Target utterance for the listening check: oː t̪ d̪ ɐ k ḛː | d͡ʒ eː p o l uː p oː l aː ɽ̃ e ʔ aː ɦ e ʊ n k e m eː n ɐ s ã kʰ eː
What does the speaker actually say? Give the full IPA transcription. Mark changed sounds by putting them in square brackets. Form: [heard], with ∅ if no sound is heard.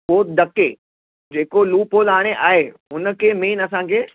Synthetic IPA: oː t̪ d̪ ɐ k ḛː | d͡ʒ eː [k] o l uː p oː l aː ɽ̃ e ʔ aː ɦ e ʊ n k e m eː n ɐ s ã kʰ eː